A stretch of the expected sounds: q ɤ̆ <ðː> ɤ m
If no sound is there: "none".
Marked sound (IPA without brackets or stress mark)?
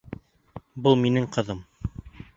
ð